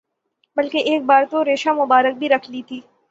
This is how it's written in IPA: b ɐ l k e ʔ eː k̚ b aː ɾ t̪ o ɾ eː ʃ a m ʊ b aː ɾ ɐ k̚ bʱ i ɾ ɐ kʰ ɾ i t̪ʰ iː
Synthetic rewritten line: b ɐ l k e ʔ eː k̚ b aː ɾ t̪ o ɾ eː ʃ a m ʊ b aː ɾ ə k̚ bʱ i ɾ ɐ kʰ l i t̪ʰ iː

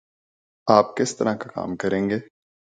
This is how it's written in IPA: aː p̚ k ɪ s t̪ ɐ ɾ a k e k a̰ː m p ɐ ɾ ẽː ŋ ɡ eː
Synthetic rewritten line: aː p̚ k ɪ s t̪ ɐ ɾ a k a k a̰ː m k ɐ ɾ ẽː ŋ ɡ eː

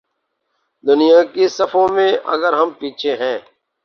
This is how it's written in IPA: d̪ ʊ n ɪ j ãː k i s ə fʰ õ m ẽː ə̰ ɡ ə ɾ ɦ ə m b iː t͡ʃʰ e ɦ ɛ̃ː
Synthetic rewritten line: d̪ ʊ n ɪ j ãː k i s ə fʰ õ m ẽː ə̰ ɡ ə ɾ ɦ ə m p iː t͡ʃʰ e ɦ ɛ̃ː

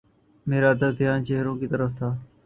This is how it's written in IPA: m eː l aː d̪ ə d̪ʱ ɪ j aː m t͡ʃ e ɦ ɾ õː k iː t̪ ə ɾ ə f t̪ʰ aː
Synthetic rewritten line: m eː ɾ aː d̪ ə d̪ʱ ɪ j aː n t͡ʃ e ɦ ɾ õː k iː t̪ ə ɾ ə f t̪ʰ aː

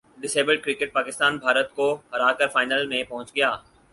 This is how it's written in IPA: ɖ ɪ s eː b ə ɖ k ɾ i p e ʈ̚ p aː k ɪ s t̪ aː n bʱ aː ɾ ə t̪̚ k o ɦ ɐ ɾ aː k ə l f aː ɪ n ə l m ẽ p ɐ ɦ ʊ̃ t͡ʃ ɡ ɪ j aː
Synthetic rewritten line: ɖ ɪ s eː b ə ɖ k ɾ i k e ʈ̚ p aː k ɪ s t̪ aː n bʱ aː ɾ ə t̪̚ k o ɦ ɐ ɾ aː k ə ɾ f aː ɪ n ə l m ẽ p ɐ ɦ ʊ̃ t͡ʃ ɡ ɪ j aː

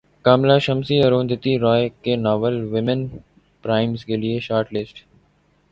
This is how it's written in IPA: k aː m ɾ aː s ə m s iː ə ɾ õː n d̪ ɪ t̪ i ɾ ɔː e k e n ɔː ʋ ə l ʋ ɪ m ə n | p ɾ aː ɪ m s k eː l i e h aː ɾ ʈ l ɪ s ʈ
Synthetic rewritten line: k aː m l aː ʃ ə m s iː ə ɾ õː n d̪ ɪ t̪ i ɾ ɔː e k e n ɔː ʋ ə l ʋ ɪ m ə n | p ɾ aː ɪ m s k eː l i e ʃ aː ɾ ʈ l ɪ s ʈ

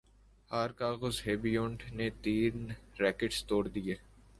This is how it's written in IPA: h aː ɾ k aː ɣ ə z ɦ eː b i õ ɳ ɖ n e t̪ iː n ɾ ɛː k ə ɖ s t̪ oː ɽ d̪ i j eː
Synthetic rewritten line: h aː ɾ k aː ɣ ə z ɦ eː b i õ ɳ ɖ n e t̪ iː n ɾ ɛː k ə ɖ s t̪ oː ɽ d̪ i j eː

